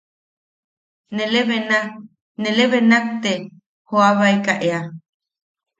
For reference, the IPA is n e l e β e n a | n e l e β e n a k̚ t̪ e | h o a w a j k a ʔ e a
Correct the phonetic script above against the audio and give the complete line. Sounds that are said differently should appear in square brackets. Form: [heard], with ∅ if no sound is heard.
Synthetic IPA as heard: n e l e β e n a | n e l e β e n a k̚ t̪ e | h o a [β] a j k a ʔ e a